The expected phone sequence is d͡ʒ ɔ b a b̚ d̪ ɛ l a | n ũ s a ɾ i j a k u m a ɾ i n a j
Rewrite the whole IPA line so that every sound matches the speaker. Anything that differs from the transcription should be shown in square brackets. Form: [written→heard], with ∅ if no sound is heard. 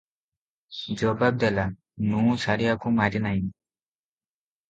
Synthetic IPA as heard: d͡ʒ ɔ b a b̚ d̪ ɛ l a | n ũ s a ɾ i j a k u m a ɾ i n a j